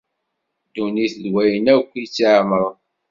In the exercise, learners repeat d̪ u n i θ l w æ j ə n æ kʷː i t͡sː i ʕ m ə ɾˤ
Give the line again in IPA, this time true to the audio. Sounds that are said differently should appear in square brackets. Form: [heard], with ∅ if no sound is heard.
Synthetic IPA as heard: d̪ u n i θ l w æ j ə n æ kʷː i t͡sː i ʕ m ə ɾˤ